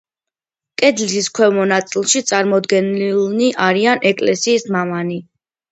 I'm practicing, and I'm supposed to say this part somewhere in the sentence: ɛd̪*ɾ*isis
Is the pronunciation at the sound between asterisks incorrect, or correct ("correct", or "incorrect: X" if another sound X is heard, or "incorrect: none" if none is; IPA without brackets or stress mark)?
incorrect: l